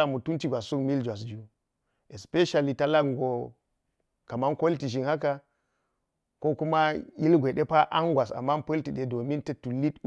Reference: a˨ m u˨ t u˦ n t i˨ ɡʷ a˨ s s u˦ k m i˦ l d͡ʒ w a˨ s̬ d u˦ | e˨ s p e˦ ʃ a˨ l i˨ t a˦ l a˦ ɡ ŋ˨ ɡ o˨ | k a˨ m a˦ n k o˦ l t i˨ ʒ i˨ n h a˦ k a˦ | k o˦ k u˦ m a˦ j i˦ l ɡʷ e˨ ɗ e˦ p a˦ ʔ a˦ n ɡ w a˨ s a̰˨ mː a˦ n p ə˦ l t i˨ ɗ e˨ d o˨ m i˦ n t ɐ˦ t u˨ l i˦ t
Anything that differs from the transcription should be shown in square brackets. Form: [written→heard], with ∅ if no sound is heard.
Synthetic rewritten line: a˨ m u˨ t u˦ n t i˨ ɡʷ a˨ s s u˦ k m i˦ l d͡ʒ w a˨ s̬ [d→d͡ʒ] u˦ | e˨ s p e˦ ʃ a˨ l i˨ t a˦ l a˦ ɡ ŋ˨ ɡ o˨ | k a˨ m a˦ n k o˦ l t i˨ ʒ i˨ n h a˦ k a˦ | k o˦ k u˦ m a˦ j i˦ l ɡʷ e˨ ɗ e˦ p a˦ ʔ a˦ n ɡ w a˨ s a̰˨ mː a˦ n p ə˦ l t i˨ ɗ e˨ d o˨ m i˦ n t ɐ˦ t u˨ l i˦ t